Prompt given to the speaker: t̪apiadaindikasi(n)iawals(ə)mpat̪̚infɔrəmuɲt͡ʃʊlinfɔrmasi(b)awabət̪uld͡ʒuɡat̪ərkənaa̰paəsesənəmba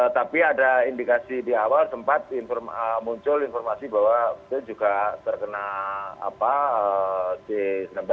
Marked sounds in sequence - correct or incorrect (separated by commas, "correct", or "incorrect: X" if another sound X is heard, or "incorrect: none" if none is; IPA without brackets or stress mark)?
incorrect: d, correct, correct